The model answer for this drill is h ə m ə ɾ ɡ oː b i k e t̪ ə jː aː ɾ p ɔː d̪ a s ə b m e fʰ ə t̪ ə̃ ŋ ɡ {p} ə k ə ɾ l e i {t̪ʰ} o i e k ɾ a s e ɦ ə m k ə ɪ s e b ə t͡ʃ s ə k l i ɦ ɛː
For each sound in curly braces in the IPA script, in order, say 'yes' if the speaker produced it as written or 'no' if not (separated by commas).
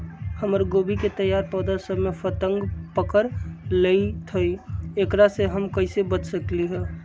yes, yes